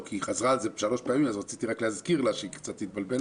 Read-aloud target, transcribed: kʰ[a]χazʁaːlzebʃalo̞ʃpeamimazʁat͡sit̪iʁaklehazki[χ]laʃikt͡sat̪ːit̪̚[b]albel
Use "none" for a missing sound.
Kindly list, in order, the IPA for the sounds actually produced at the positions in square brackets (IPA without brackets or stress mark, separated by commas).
i, ʁ, b